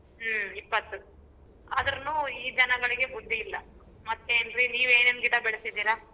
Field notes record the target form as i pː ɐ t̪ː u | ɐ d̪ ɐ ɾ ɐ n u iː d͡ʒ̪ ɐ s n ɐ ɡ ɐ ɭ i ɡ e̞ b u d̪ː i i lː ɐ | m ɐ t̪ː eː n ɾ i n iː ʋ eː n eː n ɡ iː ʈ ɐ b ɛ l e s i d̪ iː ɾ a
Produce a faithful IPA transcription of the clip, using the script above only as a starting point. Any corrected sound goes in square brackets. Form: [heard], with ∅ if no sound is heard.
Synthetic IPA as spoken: i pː ɐ t̪ː u | ɐ d̪ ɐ ɾ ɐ n u iː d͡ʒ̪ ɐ [∅] n ɐ ɡ ɐ ɭ i ɡ e̞ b u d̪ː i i lː ɐ | m ɐ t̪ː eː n ɾ i n iː ʋ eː n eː n ɡ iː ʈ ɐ b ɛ [ɭ] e s i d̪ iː ɾ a

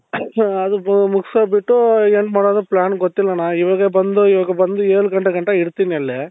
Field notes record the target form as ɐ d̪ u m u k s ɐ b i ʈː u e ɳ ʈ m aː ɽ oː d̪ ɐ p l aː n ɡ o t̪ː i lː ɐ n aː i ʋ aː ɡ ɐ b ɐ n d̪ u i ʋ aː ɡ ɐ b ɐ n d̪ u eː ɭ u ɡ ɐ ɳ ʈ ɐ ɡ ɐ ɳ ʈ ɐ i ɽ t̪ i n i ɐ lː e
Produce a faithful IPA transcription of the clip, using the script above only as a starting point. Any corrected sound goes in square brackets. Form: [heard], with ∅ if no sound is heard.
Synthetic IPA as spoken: ɐ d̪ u m u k s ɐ b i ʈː u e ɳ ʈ m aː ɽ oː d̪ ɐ p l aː n ɡ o t̪ː i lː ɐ n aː i ʋ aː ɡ ɐ b ɐ n d̪ u i ʋ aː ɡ ɐ b ɐ n d̪ u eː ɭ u ɡ ɐ ɳ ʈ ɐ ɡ ɐ ɳ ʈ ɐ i ɽ t̪ i n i ɐ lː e

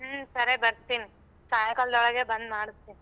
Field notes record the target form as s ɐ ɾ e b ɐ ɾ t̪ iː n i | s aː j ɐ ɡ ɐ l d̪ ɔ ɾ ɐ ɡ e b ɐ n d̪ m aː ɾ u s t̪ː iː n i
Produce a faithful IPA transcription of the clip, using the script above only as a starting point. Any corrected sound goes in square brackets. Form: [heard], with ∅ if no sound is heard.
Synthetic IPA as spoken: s ɐ ɾ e b ɐ ɾ t̪ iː n i | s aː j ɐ [k] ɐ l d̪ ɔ [ɭ] ɐ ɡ e b ɐ n d̪ m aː [ɽ] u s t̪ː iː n i

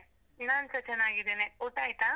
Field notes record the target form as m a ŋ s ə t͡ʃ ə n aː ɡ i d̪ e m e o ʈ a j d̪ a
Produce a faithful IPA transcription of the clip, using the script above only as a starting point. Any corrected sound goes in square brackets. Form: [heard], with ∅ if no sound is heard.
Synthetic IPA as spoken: [n] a [n] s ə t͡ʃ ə n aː ɡ i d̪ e [n] e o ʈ a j [t̪] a

